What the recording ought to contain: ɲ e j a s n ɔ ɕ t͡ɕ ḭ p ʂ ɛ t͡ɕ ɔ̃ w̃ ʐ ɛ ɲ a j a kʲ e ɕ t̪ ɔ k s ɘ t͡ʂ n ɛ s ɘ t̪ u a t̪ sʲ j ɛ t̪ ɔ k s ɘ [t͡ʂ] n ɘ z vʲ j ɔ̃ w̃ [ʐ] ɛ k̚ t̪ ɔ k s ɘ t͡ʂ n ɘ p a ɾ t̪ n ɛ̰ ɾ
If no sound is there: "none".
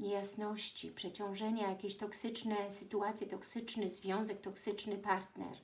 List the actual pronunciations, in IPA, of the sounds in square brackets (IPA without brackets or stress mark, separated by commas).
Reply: t͡ʂ, z